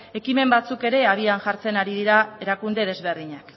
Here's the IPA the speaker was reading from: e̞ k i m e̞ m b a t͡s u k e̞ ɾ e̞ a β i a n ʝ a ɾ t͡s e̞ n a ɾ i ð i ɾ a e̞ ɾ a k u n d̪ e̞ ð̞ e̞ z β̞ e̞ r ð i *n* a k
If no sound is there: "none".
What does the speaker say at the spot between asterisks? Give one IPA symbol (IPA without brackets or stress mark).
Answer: ɲ